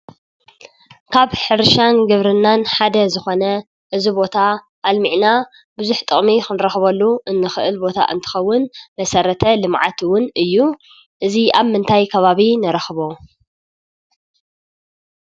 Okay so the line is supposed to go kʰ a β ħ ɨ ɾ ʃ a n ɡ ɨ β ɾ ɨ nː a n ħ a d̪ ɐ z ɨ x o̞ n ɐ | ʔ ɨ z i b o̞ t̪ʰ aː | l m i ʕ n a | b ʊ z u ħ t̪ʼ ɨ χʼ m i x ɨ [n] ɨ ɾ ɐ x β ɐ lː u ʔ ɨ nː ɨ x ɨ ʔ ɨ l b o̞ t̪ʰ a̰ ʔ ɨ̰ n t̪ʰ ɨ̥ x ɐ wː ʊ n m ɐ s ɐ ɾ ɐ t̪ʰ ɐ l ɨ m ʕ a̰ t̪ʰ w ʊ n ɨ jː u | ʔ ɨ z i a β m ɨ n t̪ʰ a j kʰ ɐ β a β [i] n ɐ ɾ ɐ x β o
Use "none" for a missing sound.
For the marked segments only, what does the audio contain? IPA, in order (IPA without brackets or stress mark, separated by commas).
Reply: n, i